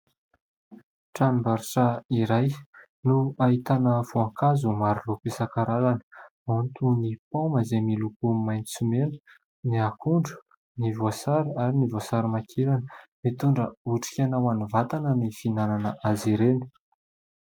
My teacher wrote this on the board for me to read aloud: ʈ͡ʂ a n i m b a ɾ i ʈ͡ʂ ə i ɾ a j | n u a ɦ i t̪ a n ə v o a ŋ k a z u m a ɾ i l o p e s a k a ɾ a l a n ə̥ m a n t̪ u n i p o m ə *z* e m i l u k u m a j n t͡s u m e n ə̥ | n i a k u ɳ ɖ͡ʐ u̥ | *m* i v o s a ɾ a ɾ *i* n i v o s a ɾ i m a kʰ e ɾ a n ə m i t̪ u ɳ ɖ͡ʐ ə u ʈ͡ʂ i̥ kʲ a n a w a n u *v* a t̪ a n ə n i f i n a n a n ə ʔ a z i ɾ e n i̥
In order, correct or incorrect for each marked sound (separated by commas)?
correct, incorrect, correct, correct